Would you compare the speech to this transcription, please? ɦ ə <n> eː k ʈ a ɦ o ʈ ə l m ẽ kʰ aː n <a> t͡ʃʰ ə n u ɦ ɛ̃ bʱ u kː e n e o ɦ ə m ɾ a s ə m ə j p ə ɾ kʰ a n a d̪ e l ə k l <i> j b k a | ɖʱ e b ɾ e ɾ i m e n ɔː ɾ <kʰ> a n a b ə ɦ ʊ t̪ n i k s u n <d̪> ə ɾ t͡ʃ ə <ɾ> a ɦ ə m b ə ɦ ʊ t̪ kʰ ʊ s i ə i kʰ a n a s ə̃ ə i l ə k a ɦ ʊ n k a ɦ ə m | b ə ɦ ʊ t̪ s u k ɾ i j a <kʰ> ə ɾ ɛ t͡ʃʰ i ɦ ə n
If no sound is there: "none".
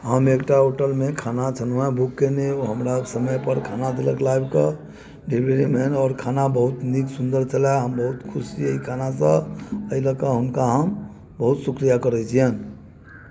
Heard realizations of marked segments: m, a, a, kʰ, d̪, l, k

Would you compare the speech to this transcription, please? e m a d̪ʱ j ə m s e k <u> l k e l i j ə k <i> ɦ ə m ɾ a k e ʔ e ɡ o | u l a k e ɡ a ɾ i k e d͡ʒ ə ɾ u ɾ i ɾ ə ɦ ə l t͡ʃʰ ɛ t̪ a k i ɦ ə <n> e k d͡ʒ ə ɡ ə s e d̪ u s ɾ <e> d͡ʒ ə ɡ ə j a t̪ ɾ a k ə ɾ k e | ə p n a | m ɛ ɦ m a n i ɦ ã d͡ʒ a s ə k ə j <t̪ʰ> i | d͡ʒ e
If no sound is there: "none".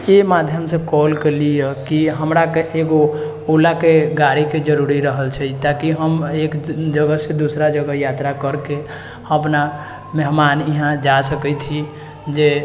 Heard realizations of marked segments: ɔ, i, m, a, t̪ʰ

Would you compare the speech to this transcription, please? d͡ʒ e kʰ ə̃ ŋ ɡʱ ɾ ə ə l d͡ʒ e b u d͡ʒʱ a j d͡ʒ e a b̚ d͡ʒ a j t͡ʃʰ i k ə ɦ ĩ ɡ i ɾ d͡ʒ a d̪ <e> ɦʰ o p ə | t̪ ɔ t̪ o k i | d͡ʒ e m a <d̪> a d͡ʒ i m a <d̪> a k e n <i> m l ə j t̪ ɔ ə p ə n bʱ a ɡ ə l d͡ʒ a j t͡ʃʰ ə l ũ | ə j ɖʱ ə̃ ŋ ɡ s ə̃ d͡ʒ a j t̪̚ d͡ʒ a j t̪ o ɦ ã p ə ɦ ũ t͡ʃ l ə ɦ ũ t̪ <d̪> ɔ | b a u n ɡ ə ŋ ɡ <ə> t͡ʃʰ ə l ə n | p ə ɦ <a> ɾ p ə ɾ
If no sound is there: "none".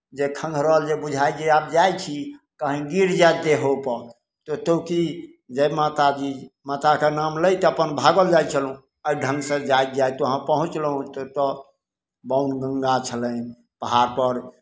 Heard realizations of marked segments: e, t̪, t̪, a, t̪, a, a

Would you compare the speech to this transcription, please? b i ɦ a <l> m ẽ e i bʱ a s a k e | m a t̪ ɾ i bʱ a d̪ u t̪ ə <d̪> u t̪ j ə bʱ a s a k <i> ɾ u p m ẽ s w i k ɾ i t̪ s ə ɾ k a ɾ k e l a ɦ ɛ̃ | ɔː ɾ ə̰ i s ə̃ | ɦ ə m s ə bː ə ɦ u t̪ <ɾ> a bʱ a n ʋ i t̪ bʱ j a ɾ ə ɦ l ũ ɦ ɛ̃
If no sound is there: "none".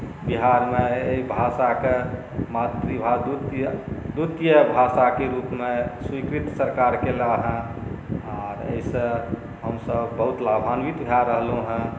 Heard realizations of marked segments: ɾ, d̪, e, l

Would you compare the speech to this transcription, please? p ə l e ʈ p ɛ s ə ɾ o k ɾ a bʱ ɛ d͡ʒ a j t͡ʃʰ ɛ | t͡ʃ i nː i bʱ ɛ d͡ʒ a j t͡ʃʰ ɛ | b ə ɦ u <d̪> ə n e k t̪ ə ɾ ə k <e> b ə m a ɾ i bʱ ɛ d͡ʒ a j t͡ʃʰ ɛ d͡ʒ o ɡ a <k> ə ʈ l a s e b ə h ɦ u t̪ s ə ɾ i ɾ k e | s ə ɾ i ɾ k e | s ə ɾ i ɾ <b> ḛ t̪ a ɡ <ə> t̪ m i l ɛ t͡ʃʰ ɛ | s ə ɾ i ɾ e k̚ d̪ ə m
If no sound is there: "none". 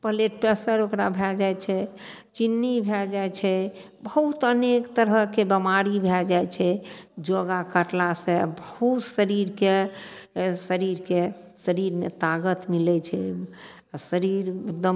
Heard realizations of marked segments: t̪, e, k, m, ə

